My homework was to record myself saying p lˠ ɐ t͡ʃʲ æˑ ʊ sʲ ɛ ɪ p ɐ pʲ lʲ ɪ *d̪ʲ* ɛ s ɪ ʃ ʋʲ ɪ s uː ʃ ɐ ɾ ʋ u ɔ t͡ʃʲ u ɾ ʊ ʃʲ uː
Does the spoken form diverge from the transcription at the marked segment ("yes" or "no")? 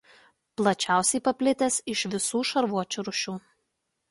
yes